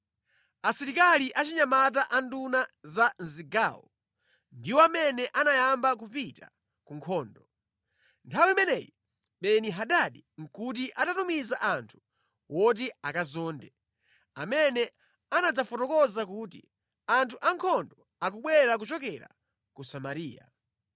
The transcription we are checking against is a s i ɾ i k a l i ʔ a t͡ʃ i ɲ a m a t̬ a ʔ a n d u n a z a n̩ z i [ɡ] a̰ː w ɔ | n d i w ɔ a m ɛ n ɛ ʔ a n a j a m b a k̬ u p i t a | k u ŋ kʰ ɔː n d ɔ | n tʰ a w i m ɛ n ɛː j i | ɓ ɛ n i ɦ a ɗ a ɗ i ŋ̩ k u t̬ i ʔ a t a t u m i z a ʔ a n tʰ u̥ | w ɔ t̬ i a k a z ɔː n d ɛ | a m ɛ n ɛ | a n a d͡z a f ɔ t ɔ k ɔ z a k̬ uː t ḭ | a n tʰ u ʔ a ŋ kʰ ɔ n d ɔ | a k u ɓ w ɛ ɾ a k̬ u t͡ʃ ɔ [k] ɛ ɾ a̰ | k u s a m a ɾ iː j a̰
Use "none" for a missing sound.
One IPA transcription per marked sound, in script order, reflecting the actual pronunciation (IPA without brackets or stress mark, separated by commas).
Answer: ɡ, k